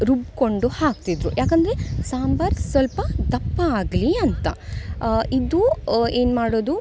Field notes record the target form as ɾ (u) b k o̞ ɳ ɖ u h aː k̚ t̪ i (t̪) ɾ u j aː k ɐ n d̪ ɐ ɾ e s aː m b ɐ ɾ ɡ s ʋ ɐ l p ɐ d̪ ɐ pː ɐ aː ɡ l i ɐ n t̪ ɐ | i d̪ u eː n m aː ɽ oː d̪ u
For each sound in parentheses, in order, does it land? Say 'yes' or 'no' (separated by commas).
yes, no